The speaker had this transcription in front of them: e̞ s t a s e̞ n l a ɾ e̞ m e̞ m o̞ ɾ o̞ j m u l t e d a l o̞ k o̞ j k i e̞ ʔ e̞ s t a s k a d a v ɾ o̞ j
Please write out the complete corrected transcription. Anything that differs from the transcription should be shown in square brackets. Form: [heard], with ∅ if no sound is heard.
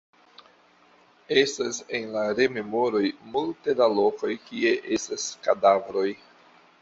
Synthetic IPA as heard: e̞ s t a s e̞ n l a ɾ e̞ m e̞ m o̞ ɾ o̞ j m u l t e d a l o̞ k o̞ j k i e̞ ʔ e̞ s t a s k a d a v ɾ o̞ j

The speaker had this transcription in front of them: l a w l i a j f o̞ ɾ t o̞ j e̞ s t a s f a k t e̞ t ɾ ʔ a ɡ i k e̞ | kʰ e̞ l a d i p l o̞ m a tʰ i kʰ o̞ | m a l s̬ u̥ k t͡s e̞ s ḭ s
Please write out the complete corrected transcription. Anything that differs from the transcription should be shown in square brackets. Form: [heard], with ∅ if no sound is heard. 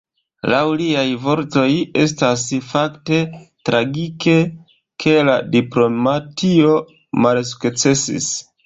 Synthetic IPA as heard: l a w l i a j [v] o̞ ɾ t o̞ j e̞ s t a s f a k t e̞ t ɾ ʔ a ɡ i k e̞ | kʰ e̞ l a d i p l o̞ m a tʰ i [∅] o̞ | m a l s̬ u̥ k t͡s e̞ s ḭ s

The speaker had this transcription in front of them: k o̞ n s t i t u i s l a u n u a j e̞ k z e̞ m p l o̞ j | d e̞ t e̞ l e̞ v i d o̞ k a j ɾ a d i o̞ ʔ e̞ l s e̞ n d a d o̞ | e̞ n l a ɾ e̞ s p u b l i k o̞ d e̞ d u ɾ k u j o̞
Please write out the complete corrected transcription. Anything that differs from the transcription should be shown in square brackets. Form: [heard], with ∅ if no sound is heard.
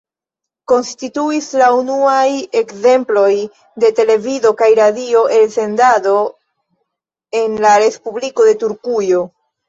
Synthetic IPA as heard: k o̞ n s t i t u i s l a u n u a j e̞ k z e̞ m p l o̞ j | d e̞ t e̞ l e̞ v i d o̞ k a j ɾ a d i o̞ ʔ e̞ l s e̞ n d a d o̞ | e̞ n l a ɾ e̞ s p u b l i k o̞ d e̞ [t] u ɾ k u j o̞

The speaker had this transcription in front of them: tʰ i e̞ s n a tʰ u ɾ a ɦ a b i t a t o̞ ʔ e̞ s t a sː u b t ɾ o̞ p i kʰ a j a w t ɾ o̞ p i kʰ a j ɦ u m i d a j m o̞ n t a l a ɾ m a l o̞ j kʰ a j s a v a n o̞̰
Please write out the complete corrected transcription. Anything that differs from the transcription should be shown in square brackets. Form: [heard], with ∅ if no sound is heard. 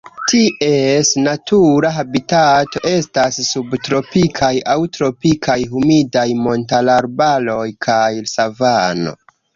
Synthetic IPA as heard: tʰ i e̞ s n a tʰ u ɾ a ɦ a b i t a t o̞ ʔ e̞ s t a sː u b t ɾ o̞ p i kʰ a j a w t ɾ o̞ p i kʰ a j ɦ u m i d a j m o̞ n t a l a ɾ [b] a l o̞ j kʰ a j s a v a n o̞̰

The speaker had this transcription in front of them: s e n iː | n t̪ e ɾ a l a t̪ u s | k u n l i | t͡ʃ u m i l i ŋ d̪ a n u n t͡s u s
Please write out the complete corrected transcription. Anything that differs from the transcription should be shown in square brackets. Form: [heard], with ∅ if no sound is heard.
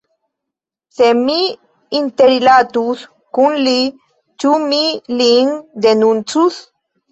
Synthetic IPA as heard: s e [m] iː | n t̪ e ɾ [i] l a t̪ u s | k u n l i | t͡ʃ u m i l i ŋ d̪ [e] n u n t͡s u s

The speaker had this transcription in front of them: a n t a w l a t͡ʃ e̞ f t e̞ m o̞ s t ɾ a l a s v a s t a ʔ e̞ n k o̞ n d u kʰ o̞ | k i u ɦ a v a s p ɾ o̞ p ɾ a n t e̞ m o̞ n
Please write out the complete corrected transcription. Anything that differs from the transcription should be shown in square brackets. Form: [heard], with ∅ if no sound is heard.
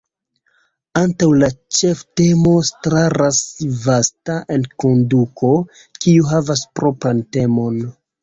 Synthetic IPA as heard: a n t a w l a t͡ʃ e̞ f t e̞ m o̞ s t ɾ a [ɾ] a s v a s t a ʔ e̞ n k o̞ n d u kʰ o̞ | k i u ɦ a v a s p ɾ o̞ p ɾ a n t e̞ m o̞ n

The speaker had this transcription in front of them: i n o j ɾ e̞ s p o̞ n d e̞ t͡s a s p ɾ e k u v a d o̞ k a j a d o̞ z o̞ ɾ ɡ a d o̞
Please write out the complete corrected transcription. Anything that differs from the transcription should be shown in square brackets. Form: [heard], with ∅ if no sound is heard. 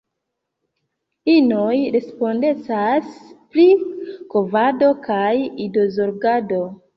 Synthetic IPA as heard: i n o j ɾ e̞ s p o̞ n d e̞ t͡s a s p ɾ [i] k [o] v a d o̞ k a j [i] d o̞ z o̞ ɾ ɡ a d o̞

